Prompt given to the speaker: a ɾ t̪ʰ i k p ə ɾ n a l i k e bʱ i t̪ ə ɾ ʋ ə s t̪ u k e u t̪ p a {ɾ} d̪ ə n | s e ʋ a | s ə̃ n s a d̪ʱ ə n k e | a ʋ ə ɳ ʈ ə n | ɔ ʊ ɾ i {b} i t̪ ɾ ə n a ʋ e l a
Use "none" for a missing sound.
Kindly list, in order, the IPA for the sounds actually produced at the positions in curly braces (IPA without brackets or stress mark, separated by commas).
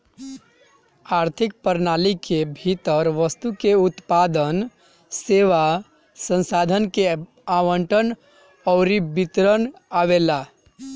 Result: none, b